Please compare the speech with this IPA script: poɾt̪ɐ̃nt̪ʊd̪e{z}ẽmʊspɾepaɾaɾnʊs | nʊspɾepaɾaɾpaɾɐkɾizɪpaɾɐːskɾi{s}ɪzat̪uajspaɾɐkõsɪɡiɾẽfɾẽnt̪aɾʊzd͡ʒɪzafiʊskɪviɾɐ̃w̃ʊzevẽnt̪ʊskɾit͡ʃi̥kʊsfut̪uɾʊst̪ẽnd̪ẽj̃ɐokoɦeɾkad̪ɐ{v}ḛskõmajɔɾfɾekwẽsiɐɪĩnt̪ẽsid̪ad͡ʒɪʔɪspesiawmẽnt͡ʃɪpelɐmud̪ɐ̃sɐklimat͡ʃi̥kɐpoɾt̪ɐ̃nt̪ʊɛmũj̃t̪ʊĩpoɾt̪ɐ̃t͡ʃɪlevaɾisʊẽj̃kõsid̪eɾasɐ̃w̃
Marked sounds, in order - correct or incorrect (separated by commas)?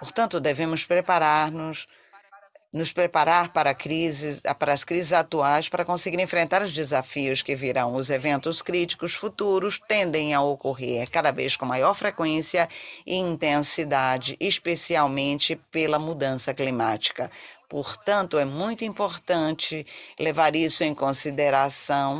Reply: incorrect, incorrect, correct